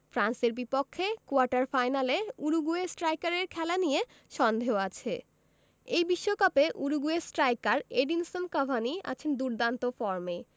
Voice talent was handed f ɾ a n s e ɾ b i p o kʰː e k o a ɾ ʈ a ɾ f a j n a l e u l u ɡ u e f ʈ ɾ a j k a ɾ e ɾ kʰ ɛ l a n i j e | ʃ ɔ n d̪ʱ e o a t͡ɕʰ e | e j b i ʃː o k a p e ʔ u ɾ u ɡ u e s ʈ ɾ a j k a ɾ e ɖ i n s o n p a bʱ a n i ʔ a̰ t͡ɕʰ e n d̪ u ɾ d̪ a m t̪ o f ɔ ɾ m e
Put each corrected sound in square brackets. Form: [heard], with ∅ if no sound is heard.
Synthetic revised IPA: f ɾ a n s e ɾ b i p o kʰː e k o a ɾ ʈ a ɾ f a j n a l e u [ɾ] u ɡ u e [s] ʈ ɾ a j k a ɾ e ɾ kʰ ɛ l a n i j e | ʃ ɔ n d̪ʱ e o a t͡ɕʰ e | e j b i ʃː o k a p e ʔ u ɾ u ɡ u e s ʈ ɾ a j k a ɾ e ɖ i n s o n [k] a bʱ a n i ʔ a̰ t͡ɕʰ e n d̪ u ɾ d̪ a [n] t̪ o f ɔ ɾ m e